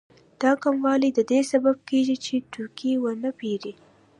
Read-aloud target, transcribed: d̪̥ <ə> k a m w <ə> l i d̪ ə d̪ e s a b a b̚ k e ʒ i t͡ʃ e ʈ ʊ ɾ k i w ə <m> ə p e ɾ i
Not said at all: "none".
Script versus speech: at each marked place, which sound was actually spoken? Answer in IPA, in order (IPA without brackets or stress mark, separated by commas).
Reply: ɑ, ɑ, n